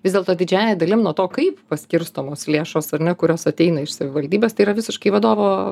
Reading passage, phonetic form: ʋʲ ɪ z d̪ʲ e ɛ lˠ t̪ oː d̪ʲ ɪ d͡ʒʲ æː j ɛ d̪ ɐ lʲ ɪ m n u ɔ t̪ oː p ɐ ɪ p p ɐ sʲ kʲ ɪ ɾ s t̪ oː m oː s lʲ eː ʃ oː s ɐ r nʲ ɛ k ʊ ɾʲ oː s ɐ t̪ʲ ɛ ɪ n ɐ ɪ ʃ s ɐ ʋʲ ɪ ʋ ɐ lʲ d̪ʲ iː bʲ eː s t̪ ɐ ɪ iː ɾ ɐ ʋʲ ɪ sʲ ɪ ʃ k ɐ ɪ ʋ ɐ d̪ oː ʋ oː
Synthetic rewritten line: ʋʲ ɪ z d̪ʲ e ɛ lˠ t̪ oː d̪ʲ ɪ d͡ʒʲ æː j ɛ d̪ ɐ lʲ ɪ m n u ɔ t̪ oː k ɐ ɪ p p ɐ sʲ kʲ ɪ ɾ s t̪ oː m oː s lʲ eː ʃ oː s ɐ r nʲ ɛ k ʊ ɾʲ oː s ɐ t̪ʲ ɛ ɪ n ɐ ɪ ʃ s ɐ ʋʲ ɪ ʋ ɐ lʲ d̪ʲ iː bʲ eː s t̪ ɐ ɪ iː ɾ ɐ ʋʲ ɪ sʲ ɪ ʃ k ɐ ɪ ʋ ɐ d̪ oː ʋ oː